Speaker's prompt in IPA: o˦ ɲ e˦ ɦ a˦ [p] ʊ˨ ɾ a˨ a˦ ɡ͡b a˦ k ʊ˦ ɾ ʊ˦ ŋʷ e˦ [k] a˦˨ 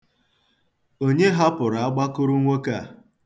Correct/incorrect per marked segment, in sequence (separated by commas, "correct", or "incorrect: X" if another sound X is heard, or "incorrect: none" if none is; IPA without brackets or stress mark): correct, correct